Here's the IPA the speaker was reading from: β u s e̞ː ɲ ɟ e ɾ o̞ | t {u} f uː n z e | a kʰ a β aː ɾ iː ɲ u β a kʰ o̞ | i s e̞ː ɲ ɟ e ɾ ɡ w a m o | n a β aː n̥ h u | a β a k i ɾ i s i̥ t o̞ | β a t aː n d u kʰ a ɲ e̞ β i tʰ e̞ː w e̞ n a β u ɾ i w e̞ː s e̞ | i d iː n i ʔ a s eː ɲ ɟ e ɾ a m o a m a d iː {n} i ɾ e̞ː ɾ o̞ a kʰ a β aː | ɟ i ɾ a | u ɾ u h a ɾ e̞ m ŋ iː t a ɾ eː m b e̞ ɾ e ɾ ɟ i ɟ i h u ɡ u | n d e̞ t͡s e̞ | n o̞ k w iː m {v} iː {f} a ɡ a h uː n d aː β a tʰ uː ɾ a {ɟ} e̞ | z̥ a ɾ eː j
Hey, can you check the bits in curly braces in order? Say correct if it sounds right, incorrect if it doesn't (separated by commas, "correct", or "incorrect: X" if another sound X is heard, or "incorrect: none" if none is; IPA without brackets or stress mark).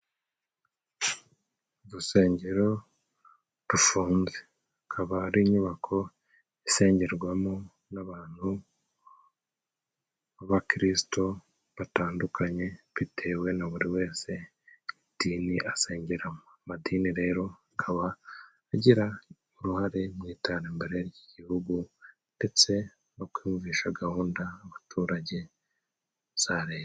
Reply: correct, correct, correct, incorrect: ʃ, correct